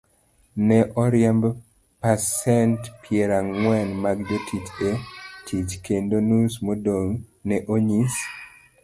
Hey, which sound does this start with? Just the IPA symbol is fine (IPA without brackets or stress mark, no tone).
n